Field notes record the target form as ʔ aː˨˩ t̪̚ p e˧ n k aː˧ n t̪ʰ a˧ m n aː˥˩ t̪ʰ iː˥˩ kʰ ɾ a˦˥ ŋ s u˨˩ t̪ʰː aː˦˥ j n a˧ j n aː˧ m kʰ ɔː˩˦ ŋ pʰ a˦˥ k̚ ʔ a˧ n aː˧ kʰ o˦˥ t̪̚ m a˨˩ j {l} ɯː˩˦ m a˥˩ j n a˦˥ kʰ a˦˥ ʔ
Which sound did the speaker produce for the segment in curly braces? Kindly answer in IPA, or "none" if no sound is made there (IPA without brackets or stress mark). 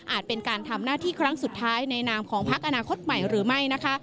ɾ